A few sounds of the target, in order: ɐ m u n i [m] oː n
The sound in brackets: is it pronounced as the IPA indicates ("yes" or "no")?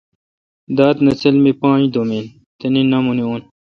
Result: no